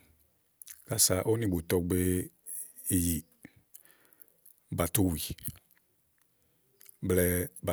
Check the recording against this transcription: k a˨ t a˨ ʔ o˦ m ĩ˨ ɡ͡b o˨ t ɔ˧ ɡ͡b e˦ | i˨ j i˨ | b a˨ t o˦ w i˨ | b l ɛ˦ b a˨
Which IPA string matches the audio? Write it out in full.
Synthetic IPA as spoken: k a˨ s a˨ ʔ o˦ n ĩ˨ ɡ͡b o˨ t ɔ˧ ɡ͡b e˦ | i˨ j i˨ | b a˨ t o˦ w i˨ | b l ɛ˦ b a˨

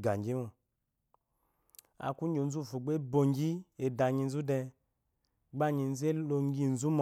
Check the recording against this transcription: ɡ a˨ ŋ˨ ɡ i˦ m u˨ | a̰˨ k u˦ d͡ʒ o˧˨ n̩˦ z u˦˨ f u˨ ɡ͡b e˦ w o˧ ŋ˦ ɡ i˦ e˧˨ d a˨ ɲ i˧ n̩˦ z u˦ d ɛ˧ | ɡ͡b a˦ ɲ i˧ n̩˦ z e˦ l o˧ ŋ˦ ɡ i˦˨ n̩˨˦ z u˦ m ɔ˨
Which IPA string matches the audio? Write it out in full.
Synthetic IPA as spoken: ɡ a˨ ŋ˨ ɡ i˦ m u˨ | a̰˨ k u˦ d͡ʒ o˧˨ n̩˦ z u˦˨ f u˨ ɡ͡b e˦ b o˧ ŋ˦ ɡ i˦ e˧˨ d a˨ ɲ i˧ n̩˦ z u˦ d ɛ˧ | ɡ͡b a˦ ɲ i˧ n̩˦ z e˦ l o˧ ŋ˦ ɡ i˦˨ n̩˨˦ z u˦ m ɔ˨

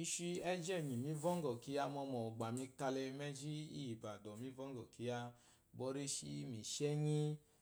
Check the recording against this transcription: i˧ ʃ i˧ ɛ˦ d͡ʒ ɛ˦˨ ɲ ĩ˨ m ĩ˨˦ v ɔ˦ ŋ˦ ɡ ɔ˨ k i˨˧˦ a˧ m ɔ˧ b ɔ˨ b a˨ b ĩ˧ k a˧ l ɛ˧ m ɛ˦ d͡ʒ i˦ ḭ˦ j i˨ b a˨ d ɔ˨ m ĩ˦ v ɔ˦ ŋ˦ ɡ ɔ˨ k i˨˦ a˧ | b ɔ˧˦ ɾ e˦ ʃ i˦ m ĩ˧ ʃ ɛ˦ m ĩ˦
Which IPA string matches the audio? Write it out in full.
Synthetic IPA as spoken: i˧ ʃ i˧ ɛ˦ d͡ʒ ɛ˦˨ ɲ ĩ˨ m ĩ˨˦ v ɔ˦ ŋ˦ ɡ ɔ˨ k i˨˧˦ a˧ m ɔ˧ m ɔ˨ ɡ͡b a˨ m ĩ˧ k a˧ l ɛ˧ m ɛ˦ d͡ʒ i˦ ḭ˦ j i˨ b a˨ d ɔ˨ m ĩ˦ v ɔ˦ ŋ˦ ɡ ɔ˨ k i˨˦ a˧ | b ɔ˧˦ ɾ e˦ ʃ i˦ m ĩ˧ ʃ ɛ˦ ɲ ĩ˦

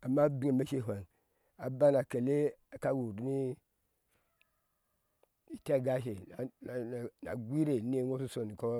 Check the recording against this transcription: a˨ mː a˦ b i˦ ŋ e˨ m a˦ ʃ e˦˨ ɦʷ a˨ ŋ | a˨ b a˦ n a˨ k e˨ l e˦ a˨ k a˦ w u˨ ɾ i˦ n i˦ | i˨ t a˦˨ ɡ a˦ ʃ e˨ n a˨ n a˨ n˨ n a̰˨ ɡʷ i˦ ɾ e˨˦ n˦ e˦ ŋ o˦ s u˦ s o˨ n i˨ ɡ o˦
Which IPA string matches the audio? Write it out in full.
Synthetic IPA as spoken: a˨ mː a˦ b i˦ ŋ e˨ m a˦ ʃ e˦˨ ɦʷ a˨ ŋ | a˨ b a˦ n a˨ k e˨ l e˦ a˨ k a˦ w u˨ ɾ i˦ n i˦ | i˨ t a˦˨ ɡ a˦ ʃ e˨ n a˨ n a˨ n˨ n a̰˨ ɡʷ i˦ ɾ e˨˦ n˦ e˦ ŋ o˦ s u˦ s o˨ n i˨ k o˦

